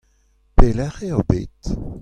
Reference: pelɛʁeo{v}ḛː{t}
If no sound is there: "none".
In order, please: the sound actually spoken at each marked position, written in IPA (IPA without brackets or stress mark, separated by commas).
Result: b, t